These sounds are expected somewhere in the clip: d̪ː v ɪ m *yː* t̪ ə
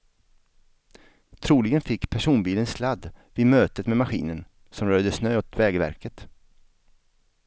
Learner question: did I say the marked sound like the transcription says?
no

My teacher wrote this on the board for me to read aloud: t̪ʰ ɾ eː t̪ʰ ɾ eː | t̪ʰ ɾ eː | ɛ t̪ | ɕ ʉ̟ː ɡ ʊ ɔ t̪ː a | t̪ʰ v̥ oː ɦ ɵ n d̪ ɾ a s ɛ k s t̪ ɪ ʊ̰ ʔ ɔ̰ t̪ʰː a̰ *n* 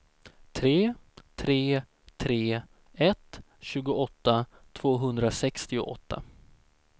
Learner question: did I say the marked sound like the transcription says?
no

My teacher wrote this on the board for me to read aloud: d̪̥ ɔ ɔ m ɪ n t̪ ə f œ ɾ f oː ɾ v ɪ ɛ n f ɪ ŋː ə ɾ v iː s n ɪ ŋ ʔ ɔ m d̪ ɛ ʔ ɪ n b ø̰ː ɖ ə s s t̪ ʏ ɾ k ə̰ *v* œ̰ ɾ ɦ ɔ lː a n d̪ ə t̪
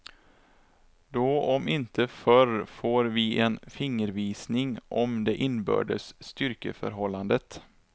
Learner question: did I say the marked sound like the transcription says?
no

